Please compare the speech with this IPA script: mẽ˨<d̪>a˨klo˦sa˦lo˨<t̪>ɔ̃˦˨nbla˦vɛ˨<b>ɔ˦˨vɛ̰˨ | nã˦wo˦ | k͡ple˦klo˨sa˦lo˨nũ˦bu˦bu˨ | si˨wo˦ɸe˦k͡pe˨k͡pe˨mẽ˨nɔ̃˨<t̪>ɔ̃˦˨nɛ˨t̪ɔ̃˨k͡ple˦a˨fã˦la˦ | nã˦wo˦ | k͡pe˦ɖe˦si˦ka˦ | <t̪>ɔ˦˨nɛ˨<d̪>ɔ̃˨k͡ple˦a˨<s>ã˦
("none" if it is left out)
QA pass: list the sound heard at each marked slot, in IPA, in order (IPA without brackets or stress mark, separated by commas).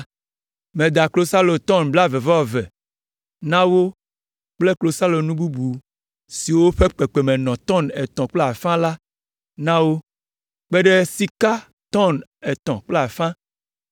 d̪, t̪, v, t̪, t̪, t̪, f